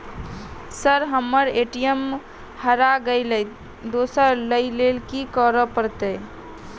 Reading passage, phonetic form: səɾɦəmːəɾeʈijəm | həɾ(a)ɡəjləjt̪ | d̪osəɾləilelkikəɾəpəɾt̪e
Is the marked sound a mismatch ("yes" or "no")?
no